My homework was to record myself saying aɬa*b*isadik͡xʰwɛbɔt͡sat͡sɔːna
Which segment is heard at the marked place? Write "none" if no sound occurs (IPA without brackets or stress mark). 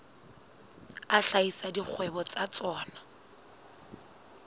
none